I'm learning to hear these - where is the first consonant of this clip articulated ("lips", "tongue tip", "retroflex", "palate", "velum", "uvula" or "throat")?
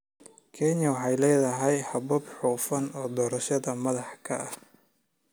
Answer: velum